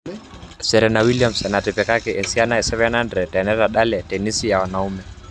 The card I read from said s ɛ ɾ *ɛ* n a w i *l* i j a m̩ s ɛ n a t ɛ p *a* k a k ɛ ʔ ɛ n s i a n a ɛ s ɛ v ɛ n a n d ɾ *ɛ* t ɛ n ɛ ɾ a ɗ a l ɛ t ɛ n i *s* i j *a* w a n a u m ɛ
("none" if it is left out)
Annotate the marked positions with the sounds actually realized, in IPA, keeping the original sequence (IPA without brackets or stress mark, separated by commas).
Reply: ɛ, l, ɛ, ɛ, s, a